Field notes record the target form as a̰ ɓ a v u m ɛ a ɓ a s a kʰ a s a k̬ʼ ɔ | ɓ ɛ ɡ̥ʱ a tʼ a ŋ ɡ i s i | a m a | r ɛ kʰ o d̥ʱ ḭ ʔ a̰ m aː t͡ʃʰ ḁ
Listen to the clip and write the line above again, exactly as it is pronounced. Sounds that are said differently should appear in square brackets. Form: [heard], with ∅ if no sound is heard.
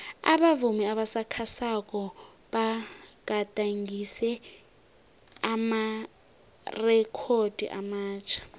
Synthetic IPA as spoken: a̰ ɓ a v u m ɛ a ɓ a s a kʰ a s a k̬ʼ ɔ | ɓ [a] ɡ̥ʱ a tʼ a ŋ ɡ i s [ɛ] | a m a | r ɛ kʰ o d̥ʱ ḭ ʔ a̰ m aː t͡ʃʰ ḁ